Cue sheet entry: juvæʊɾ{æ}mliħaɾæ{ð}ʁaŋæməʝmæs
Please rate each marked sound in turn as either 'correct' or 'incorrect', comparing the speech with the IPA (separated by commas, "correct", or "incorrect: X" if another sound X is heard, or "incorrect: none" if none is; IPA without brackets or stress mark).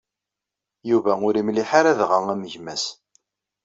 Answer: incorrect: i, correct